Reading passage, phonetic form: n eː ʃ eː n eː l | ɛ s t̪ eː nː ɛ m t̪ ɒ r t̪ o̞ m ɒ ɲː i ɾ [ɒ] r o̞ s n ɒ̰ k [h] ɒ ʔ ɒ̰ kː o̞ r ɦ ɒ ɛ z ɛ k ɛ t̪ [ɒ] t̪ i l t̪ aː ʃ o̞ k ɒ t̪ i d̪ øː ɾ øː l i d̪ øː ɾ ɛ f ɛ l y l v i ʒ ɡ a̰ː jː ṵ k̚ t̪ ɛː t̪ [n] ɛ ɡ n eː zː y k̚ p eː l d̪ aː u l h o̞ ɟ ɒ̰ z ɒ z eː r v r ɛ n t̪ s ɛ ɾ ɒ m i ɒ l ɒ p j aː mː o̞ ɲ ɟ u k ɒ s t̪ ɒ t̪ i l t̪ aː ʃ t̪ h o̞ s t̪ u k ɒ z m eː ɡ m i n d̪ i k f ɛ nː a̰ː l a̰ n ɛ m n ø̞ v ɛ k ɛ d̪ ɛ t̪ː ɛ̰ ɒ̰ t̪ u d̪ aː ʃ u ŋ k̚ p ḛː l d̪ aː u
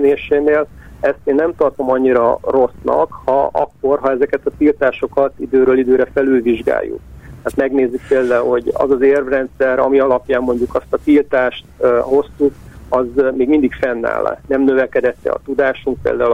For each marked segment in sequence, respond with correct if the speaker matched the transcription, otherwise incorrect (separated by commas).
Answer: correct, correct, correct, incorrect